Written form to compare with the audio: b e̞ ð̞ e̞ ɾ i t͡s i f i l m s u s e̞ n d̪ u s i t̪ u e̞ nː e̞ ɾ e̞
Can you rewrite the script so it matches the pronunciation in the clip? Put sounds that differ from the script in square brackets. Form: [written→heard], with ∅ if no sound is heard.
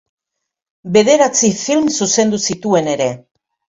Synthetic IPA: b e̞ ð̞ e̞ ɾ [i→a] t͡s i f i l m s u s e̞ n d̪ u s i t̪ u e̞ [nː→n] e̞ ɾ e̞